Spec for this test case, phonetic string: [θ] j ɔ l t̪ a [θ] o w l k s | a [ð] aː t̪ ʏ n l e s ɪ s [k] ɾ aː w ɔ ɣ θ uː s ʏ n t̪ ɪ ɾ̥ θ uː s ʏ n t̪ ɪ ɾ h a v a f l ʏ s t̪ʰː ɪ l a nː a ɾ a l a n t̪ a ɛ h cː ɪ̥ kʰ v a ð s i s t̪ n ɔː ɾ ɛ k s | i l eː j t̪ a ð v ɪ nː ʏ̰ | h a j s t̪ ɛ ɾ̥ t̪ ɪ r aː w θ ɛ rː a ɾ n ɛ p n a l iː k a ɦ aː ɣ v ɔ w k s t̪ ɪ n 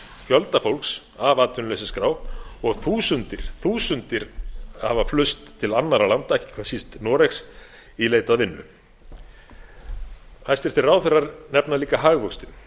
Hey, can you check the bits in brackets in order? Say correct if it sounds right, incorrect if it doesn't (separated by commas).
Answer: incorrect, incorrect, incorrect, correct